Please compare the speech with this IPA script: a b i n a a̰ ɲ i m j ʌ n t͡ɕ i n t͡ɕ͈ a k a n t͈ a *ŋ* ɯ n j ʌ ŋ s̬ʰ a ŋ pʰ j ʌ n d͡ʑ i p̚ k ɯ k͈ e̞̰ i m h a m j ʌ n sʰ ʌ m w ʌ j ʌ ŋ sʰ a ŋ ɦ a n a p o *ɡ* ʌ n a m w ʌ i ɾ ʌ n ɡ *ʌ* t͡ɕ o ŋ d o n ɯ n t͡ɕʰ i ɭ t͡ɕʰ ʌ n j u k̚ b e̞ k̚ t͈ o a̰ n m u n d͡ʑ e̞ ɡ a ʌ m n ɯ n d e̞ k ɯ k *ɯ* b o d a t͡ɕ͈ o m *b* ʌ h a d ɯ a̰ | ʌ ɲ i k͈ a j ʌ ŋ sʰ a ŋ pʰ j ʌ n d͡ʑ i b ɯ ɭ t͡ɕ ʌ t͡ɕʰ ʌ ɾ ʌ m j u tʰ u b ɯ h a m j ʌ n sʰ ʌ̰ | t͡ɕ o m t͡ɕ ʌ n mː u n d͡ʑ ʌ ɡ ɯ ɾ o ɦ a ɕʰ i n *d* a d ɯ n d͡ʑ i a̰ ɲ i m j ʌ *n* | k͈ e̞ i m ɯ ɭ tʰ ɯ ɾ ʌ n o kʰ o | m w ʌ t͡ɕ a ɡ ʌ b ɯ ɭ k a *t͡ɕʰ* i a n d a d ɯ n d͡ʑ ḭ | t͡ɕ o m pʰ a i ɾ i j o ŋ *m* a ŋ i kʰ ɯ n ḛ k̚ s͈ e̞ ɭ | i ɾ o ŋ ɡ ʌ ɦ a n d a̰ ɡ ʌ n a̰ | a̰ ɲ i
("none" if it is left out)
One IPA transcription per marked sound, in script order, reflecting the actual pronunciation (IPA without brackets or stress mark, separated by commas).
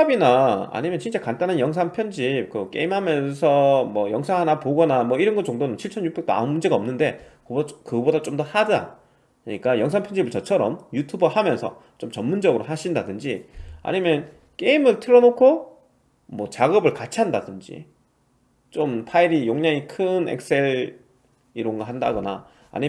n, ɡ, ʌ, ɯ, d, d, n, t͡ɕʰ, ɲ